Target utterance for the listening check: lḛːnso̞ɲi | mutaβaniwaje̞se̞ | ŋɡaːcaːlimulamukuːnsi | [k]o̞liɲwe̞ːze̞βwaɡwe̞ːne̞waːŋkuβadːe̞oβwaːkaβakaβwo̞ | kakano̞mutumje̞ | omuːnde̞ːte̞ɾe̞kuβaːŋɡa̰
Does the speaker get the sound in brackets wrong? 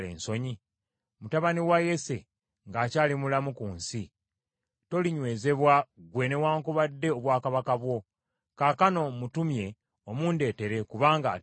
yes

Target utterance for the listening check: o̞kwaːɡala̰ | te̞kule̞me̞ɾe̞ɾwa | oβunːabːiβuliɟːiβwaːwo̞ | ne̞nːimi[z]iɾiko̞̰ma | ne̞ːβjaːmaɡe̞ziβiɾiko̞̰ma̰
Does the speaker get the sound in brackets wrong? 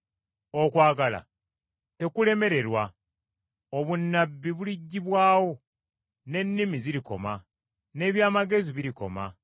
no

